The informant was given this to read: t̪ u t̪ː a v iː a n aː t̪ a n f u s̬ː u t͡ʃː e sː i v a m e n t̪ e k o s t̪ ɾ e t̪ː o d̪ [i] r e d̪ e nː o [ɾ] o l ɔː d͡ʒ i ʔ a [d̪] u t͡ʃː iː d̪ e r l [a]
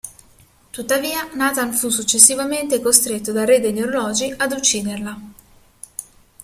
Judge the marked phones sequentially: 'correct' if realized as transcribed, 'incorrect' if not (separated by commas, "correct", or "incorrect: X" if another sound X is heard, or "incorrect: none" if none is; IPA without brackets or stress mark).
incorrect: a, correct, correct, correct